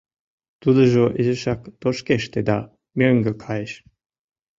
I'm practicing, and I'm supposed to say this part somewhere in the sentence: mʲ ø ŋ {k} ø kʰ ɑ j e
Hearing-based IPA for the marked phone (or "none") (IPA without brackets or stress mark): ɡ